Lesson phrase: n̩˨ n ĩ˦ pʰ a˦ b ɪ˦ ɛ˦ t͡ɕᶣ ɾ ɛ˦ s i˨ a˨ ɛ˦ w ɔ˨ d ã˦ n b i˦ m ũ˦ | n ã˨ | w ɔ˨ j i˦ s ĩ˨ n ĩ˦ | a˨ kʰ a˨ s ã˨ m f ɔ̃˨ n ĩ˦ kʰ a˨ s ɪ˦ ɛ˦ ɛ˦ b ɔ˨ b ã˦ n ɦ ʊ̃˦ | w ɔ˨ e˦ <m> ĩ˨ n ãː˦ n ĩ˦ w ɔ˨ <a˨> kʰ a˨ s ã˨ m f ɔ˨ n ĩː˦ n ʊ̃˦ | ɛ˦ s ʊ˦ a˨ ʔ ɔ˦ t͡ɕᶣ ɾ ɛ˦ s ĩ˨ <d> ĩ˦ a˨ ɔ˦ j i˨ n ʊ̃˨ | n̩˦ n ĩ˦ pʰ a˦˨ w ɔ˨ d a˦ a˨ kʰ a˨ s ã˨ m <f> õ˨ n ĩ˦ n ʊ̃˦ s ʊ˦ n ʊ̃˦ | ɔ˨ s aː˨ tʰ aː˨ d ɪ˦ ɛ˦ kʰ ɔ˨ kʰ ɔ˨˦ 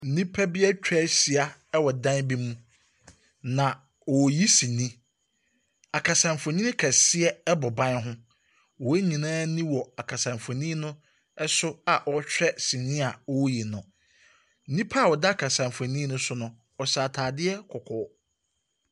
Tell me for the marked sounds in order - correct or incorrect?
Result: incorrect: ɲ, correct, incorrect: n, correct

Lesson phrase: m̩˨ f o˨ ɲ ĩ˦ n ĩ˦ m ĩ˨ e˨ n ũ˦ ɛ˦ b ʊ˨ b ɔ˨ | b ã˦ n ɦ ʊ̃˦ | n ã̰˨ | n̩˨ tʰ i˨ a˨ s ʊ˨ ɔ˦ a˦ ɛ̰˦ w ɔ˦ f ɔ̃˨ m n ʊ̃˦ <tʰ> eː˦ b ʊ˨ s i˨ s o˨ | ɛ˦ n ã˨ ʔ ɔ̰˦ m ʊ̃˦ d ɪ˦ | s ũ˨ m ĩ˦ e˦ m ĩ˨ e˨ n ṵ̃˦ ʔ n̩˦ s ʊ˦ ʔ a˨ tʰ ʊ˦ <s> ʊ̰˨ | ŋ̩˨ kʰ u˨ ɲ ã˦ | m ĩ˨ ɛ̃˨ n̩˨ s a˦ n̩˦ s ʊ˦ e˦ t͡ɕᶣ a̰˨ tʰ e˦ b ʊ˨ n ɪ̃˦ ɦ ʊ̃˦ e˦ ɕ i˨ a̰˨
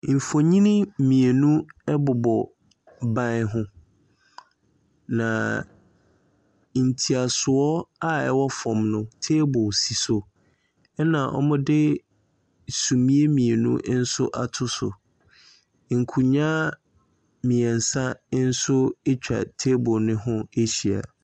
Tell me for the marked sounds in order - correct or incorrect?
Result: correct, correct

